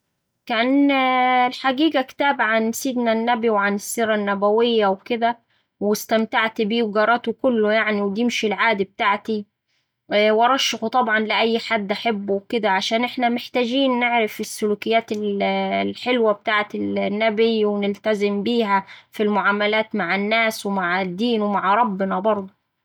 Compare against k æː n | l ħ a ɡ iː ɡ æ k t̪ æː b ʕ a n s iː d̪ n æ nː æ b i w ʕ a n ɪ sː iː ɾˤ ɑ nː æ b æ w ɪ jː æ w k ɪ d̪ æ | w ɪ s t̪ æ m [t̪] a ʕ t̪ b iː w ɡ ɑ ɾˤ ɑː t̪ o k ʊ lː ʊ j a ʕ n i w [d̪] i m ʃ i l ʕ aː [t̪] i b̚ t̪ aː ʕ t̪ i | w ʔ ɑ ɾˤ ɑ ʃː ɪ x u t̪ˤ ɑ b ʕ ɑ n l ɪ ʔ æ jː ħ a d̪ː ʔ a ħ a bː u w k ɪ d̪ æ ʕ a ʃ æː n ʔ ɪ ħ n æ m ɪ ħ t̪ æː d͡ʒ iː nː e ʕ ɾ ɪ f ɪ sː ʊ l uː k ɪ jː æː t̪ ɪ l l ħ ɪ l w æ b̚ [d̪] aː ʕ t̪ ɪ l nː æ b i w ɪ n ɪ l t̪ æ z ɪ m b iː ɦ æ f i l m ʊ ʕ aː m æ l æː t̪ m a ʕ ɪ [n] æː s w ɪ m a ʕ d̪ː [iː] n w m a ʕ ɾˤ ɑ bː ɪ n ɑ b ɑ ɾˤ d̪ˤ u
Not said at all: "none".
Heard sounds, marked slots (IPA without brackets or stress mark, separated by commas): t̪, d̪, d̪, t̪, nː, iː